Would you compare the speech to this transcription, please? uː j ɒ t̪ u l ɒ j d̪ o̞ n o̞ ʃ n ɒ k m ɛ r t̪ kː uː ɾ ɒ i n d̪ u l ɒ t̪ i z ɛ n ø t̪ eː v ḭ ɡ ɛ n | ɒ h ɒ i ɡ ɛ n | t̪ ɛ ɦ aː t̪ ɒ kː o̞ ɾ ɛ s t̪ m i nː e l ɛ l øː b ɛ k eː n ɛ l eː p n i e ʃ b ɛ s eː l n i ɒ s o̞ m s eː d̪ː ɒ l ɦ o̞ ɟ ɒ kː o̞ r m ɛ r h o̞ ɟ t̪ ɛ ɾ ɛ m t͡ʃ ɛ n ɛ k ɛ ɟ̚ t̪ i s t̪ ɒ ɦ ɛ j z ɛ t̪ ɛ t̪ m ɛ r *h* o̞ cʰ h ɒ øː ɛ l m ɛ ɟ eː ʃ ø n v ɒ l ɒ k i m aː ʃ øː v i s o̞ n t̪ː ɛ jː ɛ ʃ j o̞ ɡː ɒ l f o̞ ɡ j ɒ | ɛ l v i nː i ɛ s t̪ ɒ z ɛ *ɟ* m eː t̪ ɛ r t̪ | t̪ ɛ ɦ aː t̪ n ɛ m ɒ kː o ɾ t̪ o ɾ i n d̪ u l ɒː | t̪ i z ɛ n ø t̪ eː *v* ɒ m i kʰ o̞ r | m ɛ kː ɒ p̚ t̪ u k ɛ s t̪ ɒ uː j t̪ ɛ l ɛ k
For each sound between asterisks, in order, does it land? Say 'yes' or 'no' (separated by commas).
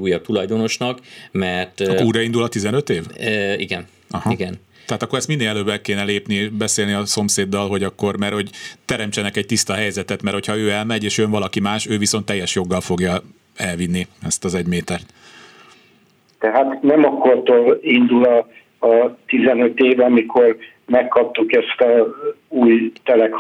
yes, yes, yes